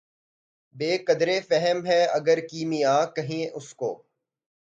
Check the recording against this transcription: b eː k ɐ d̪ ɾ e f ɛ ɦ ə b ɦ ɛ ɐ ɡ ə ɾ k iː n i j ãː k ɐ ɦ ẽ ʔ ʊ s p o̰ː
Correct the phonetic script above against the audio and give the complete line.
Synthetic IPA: b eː k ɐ d̪ ɾ e f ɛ ɦ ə m ɦ ɛ ɐ ɡ ə ɾ k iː m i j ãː k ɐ ɦ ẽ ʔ ʊ s k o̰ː

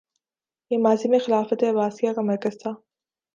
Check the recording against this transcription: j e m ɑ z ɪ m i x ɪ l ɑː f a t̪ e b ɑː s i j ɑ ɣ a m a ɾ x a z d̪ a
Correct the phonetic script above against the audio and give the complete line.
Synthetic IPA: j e m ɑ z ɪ m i x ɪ l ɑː f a t̪ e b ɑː s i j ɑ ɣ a m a ɾ k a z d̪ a

